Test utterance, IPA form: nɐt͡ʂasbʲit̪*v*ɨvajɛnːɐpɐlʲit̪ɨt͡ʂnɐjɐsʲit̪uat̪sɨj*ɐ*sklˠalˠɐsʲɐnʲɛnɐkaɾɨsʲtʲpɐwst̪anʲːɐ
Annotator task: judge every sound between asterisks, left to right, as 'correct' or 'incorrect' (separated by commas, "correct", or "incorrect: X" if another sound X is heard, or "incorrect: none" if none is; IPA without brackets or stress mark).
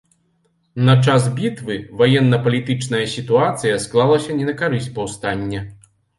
correct, correct